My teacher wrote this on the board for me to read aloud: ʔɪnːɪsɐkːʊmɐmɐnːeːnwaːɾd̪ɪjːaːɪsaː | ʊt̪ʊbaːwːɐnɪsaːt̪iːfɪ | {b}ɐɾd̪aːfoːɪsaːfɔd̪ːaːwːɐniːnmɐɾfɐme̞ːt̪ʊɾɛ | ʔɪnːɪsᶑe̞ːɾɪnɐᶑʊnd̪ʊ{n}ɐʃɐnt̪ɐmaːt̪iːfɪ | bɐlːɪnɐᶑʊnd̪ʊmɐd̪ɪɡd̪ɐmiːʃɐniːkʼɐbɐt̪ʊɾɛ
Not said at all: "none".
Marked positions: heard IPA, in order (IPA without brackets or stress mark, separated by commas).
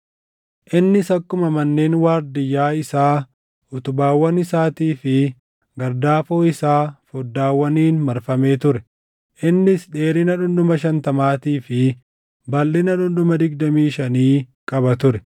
ɡ, m